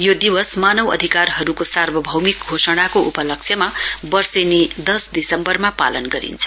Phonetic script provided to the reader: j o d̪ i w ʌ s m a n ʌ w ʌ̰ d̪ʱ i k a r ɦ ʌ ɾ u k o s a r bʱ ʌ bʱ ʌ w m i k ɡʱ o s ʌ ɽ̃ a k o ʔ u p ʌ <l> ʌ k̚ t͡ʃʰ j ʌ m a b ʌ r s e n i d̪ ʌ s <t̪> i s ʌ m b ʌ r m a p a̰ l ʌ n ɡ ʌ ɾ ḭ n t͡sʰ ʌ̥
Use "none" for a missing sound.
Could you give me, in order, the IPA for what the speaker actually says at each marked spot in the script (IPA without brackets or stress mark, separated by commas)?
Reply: l, d̪